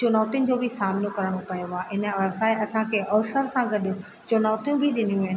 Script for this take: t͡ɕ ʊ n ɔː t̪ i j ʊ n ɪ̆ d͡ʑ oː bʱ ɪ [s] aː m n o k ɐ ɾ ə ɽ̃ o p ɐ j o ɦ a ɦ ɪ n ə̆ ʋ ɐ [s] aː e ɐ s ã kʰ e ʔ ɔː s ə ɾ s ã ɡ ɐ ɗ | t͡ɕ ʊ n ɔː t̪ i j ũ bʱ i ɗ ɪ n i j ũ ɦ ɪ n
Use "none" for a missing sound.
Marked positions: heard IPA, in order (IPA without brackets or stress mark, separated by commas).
s, s